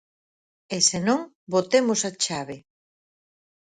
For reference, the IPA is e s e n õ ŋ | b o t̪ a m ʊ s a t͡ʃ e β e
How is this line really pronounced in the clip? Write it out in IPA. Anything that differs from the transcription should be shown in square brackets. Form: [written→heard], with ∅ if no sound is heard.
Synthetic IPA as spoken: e s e n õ ŋ | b o t̪ [a→e] m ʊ s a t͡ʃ [e→a] β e